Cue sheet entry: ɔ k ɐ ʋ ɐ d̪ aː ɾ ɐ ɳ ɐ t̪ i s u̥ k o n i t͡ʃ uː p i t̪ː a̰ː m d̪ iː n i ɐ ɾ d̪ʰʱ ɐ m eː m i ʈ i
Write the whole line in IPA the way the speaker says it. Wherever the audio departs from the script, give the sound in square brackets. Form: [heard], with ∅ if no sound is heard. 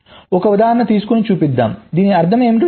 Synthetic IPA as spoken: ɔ k ɐ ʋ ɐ d̪ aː ɾ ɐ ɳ ɐ t̪ [iː] s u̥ k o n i t͡ʃ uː p i [d̪ː] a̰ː m d̪ iː n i ɐ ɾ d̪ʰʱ ɐ m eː m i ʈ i